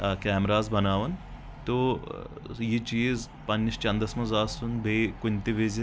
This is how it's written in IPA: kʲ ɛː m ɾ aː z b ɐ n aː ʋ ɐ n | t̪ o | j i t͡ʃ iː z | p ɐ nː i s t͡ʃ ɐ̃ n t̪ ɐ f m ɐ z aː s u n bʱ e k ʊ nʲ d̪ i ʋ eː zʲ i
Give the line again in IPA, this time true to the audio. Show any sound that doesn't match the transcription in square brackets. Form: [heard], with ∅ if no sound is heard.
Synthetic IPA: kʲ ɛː m ɾ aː z b ɐ n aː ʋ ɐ n | t̪ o | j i t͡ʃ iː z | p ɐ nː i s t͡ʃ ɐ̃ n [d̪] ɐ [s] m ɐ z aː s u n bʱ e k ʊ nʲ [t̪] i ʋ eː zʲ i

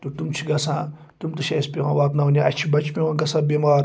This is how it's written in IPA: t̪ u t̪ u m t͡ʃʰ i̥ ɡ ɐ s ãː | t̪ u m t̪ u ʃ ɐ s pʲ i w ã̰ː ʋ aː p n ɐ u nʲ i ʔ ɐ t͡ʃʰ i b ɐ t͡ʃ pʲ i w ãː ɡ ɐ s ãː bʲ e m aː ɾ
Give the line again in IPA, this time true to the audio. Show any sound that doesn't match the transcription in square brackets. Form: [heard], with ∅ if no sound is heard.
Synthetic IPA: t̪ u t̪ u m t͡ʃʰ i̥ ɡ ɐ s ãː | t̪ u m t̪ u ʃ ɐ s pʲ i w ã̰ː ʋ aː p n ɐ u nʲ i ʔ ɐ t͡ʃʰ i b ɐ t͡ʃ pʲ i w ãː ɡ ɐ s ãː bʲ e m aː ɾ

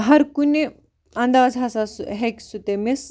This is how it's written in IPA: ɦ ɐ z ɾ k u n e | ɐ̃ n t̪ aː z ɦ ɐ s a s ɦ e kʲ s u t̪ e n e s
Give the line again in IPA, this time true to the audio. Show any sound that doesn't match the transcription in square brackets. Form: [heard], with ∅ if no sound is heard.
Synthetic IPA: ɦ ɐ [∅] ɾ k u n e | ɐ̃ n [d̪] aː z ɦ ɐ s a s ɦ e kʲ s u t̪ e [m] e s

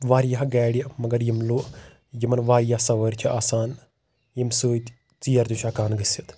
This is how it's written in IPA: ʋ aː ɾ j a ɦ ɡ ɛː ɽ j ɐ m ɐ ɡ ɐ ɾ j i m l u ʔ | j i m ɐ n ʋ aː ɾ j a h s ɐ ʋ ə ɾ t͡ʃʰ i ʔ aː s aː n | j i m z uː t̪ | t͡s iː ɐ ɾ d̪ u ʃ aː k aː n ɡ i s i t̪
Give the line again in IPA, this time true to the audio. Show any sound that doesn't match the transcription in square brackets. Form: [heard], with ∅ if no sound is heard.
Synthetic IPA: ʋ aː ɾ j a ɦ ɡ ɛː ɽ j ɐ m ɐ ɡ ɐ ɾ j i m l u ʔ | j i m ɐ n ʋ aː ɾ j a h s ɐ ʋ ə ɾ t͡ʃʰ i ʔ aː s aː n | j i m [s] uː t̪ | t͡s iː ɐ ɾ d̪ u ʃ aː k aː n ɡ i s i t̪

